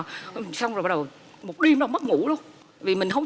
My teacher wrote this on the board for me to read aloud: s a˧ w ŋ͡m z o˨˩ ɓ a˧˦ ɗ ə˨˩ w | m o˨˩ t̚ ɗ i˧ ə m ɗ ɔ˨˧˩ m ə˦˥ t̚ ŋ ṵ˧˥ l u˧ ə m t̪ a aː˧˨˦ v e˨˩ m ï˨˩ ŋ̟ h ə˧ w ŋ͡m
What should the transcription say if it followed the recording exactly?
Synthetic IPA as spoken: s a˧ w ŋ͡m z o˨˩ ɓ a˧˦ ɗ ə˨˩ w | m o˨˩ t̚ ɗ i˧ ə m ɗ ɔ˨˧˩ m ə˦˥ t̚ ŋ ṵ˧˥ l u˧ ə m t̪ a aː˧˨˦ v i˨˩ m ï˨˩ ŋ̟ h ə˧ w ŋ͡m